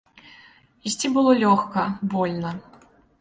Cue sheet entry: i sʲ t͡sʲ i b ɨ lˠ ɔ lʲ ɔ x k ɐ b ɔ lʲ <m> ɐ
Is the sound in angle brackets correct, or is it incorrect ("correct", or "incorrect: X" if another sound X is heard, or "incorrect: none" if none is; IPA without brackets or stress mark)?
incorrect: n